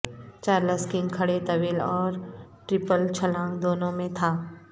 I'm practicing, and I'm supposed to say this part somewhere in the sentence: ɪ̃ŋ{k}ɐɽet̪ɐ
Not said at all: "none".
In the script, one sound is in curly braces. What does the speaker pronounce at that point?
kʰ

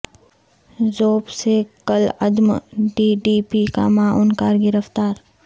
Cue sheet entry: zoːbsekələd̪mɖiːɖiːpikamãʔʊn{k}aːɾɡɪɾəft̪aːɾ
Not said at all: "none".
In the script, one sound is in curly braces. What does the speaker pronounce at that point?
k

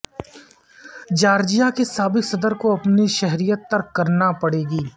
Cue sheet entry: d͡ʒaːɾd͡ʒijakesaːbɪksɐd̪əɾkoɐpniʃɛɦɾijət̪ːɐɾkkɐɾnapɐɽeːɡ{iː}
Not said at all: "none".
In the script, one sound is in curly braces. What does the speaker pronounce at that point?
iː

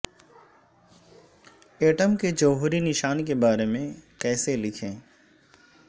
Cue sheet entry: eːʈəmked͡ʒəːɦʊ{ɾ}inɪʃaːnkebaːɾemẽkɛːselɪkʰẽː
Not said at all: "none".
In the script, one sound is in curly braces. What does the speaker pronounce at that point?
ɾ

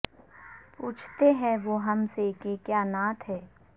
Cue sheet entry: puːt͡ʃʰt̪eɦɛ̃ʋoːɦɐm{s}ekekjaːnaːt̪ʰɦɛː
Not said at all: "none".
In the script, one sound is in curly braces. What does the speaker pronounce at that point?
s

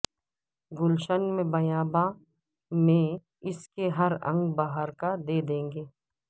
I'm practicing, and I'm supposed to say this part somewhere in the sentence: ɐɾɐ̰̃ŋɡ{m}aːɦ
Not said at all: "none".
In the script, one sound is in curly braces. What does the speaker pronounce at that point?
b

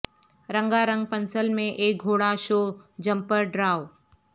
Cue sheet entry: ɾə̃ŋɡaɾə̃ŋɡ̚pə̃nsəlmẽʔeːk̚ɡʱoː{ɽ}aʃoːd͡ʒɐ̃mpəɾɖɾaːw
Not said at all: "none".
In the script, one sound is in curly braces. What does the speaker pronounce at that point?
ɽ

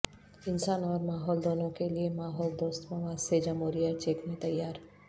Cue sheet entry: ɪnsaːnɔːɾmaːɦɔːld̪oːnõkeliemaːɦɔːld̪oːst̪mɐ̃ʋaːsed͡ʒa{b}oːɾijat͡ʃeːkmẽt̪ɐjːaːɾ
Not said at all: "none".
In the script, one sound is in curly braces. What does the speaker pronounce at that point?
m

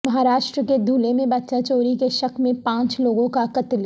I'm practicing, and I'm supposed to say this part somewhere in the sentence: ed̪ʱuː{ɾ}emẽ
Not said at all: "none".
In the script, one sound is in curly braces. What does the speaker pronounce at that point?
l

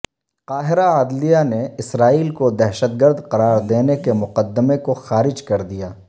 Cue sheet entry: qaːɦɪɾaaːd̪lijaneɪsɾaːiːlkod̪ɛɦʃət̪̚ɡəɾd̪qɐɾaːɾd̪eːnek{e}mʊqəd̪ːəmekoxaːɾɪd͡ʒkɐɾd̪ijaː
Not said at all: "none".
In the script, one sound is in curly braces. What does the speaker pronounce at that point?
e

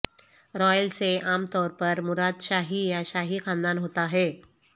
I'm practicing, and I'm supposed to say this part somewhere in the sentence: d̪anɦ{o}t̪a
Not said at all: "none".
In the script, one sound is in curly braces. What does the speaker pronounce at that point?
o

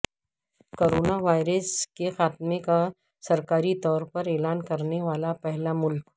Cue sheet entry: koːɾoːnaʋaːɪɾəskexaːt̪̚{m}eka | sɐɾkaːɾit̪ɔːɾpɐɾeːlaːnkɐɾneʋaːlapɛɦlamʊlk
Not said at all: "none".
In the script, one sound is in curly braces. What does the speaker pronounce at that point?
m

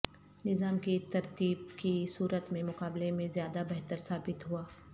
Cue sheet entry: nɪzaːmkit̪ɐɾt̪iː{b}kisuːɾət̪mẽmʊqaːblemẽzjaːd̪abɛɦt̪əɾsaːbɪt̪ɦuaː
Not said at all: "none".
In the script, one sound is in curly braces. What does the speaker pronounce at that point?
b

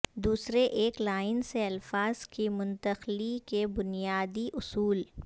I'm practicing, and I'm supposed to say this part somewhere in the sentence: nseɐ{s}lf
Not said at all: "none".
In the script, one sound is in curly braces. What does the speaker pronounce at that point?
none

